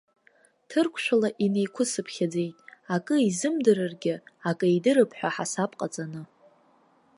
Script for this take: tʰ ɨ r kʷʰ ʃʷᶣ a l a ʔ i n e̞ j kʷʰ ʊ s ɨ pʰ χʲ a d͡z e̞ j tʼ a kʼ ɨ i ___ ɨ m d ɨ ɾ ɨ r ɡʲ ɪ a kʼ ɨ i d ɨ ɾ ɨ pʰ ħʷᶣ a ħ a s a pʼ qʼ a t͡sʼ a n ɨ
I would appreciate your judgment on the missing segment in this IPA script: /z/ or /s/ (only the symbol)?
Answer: z